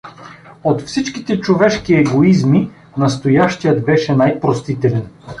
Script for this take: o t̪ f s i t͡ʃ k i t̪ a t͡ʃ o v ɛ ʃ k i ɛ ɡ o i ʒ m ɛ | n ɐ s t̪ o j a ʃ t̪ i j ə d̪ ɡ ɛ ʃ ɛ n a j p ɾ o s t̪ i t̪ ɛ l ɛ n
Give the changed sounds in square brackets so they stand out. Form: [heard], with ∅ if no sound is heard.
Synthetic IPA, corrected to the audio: o t̪ f s i t͡ʃ k i t̪ [ɛ] t͡ʃ o v ɛ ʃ k i ɛ ɡ o i [z] m [i] | n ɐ s t̪ o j a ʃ t̪ i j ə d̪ [b] ɛ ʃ ɛ n a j p ɾ o s t̪ i t̪ ɛ l ɛ n